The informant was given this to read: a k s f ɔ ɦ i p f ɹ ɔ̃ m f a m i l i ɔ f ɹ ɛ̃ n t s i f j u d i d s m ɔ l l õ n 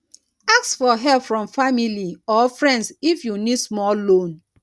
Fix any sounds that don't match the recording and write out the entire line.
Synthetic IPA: a k s f ɔ ɦ ɛ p f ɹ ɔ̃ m f a m i l i ɔ f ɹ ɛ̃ n d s i f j u n i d s m ɔ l l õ n